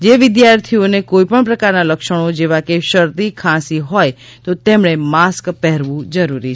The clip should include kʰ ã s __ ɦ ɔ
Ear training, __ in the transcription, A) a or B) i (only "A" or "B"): B